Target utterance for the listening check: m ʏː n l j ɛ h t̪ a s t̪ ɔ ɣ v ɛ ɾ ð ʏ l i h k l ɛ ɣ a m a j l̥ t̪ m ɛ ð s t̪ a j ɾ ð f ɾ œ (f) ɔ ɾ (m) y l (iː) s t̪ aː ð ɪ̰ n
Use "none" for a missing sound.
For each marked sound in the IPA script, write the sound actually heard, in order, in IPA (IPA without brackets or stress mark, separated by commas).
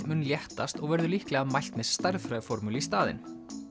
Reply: f, m, i